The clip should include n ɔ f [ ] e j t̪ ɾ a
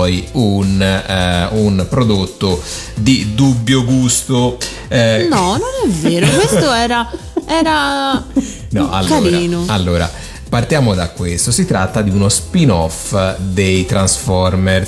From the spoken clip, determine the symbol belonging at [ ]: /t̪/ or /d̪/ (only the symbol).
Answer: d̪